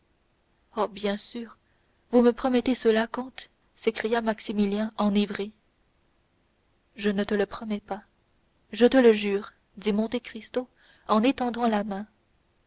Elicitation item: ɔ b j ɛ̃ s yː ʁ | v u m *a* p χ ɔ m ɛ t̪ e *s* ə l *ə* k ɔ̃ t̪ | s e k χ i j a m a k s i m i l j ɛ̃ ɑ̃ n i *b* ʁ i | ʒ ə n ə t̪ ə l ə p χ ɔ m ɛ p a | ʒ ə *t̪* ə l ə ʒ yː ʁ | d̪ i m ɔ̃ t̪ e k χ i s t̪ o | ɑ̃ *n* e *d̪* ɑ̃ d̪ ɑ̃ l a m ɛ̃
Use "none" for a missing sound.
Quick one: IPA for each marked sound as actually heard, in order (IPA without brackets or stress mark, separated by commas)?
ə, s, a, v, t̪, n, t̪